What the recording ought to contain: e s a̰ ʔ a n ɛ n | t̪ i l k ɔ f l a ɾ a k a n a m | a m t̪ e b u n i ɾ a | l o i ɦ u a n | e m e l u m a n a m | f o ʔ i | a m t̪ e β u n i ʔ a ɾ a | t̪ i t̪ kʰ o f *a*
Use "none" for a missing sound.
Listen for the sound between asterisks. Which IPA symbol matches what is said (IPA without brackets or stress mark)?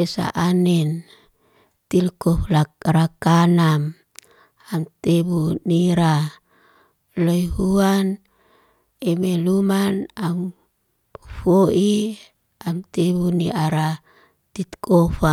a